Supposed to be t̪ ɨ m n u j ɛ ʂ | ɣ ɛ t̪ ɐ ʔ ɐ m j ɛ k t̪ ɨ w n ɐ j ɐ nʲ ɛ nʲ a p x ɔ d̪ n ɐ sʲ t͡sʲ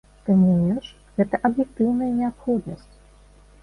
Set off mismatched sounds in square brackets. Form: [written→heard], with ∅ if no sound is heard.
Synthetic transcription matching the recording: t̪ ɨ m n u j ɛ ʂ | ɣ ɛ t̪ ɐ ʔ ɐ [m→b] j ɛ k t̪ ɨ w n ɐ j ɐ nʲ ɛ [nʲ→∅] a p x ɔ d̪ n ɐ sʲ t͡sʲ